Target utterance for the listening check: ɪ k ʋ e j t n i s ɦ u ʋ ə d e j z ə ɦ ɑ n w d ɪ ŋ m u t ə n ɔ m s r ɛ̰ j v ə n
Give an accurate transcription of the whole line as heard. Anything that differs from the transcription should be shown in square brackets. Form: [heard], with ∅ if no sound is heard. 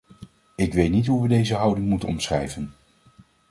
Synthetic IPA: ɪ k ʋ e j t n i [t] ɦ u ʋ ə d e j z ə ɦ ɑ [∅] w d ɪ ŋ m u t ə n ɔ m s r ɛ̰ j v ə n